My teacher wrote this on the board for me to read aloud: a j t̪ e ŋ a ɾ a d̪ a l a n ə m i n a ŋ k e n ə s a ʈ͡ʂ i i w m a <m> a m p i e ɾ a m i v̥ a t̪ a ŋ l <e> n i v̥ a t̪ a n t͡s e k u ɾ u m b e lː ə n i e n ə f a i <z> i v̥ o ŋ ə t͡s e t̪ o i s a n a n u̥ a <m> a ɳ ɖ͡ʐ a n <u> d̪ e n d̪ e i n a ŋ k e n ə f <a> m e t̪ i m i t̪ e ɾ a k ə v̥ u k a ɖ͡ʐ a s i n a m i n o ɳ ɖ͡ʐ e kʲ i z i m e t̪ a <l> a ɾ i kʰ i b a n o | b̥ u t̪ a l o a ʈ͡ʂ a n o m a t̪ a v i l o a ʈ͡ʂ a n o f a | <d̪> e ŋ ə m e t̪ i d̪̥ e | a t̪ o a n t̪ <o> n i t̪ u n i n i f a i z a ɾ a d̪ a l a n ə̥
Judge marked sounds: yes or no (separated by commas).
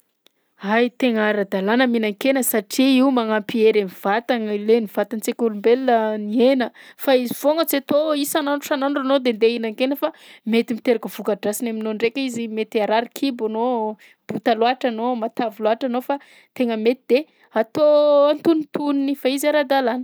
no, yes, yes, no, no, yes, no, no, no